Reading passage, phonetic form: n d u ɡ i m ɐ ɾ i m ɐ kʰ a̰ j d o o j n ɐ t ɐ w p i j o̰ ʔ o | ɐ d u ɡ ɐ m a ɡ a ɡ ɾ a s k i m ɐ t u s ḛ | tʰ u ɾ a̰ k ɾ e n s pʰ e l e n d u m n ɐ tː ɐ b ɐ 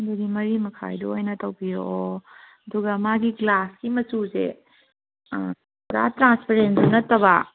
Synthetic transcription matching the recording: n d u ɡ i m ɐ ɾ i m ɐ kʰ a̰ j d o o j n ɐ t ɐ w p i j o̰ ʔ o | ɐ d u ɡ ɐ m a ɡ i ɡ l a s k i m ɐ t u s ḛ | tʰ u ɾ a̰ t ɾ a n s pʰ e ɾ e n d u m n ɐ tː ɐ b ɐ